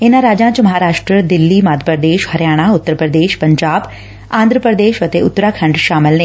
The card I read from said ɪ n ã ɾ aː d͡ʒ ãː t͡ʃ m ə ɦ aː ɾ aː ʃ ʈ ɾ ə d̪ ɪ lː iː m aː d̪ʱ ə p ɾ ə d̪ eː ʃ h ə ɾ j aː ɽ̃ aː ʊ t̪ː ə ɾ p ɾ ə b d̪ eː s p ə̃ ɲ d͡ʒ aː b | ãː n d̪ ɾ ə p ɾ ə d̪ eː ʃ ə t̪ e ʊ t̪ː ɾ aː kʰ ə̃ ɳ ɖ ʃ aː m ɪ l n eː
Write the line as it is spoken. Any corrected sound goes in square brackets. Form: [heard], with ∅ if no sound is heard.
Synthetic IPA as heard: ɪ n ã ɾ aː d͡ʒ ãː t͡ʃ m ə ɦ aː ɾ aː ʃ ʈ ɾ ə d̪ ɪ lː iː m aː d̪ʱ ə p ɾ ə d̪ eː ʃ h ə ɾ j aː ɽ̃ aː ʊ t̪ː ə ɾ p ɾ ə [∅] d̪ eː [ʃ] p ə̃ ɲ d͡ʒ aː b | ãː n d̪ ɾ ə p ɾ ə d̪ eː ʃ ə t̪ e ʊ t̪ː ɾ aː kʰ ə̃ ɳ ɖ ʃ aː m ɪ l n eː